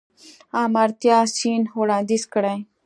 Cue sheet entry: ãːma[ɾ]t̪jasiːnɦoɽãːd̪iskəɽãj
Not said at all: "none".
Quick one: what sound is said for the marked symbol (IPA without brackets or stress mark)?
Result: ɾ